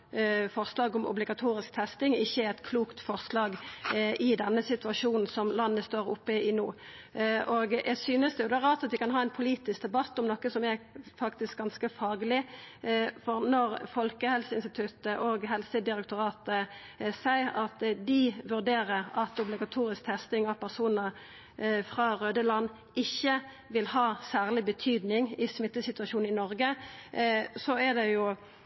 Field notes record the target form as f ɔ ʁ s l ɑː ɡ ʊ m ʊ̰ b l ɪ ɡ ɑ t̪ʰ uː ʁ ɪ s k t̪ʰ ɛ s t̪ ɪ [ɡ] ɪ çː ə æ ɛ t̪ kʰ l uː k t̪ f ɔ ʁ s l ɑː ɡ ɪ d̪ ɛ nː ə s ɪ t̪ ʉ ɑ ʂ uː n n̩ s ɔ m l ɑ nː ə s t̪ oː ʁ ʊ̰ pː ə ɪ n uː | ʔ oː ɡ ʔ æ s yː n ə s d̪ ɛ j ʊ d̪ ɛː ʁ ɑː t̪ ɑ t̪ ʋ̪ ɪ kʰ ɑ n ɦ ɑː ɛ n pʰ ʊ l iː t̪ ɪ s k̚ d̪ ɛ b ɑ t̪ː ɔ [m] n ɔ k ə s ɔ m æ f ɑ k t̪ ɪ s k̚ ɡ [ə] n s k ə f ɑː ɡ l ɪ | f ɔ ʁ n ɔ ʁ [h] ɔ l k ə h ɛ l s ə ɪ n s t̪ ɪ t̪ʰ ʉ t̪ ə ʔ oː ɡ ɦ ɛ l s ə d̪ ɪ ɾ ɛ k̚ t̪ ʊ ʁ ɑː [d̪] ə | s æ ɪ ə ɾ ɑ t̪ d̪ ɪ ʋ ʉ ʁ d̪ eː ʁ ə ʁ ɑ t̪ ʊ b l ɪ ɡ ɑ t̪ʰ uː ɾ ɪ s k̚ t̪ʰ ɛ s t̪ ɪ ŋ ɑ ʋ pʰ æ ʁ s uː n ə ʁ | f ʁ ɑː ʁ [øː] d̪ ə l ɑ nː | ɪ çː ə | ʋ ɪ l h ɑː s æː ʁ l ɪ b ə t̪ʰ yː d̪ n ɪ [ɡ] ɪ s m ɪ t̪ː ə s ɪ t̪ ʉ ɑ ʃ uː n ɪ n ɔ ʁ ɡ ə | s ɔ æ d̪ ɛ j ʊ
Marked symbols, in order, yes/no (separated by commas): no, yes, no, no, no, yes, no